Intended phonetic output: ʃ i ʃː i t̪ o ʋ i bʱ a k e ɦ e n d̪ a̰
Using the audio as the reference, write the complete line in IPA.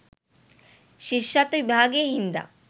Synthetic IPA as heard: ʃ i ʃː a t̪ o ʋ i bʱ a ɡ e ɦ i n d̪ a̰